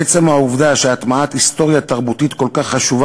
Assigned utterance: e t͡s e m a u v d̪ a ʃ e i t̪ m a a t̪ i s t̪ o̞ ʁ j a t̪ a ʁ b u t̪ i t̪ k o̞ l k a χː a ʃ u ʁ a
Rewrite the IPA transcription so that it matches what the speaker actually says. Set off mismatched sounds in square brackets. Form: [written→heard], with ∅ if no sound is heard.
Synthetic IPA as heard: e t͡s e m a u v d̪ a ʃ e [i→a] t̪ m a a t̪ i s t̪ o̞ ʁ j a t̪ a ʁ b u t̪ i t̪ k o̞ l k a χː a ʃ u [ʁ→v] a